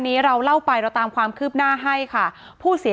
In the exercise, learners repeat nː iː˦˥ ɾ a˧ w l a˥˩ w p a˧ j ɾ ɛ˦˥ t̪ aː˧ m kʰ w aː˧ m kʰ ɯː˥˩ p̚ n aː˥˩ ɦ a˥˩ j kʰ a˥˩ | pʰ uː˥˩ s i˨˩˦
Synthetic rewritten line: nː iː˦˥ ɾ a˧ w l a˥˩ w p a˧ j ɾ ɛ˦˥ t̪ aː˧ m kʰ w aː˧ m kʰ ɯː˥˩ p̚ n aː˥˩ ɦ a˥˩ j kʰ a˥˩ | pʰ uː˥˩ s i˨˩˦